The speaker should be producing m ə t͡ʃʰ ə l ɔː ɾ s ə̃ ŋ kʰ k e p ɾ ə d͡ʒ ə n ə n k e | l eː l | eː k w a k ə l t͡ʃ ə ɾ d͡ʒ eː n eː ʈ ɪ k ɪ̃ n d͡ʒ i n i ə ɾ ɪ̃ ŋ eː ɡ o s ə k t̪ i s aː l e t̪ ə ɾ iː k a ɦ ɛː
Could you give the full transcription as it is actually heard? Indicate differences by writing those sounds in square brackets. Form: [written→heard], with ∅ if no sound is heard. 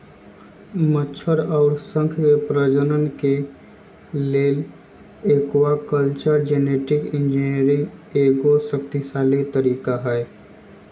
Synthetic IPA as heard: m ə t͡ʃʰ ə [l→ɾ] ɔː ɾ s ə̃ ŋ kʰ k e p ɾ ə d͡ʒ ə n ə n k e | l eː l | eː k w a k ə l t͡ʃ ə ɾ d͡ʒ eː n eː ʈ ɪ k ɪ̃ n d͡ʒ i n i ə ɾ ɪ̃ ŋ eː ɡ o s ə k t̪ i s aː l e t̪ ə ɾ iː k a ɦ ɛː

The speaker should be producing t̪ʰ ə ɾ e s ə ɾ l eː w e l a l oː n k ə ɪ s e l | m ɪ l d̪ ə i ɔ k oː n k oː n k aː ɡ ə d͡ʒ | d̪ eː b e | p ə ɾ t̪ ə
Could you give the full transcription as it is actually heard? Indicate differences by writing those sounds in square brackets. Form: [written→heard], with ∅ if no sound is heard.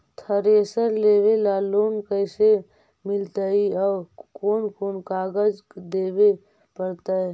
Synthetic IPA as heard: t̪ʰ ə ɾ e s ə ɾ l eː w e l a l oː n k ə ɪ s e [l→∅] | m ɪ l [d̪→t̪] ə i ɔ k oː n k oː n k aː ɡ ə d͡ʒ | d̪ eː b e | p ə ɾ t̪ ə

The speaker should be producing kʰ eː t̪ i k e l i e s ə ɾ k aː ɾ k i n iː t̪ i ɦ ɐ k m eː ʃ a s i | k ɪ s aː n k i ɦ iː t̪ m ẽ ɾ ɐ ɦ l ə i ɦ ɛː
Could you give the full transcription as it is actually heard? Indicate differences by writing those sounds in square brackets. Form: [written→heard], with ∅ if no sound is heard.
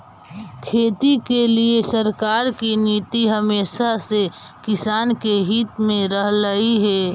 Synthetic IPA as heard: kʰ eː t̪ i k e l i e s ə ɾ k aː ɾ k i n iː t̪ i ɦ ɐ [k→∅] m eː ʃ a s [i→e] | k ɪ s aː n k [i→e] ɦ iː t̪ m ẽ ɾ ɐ ɦ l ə i ɦ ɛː

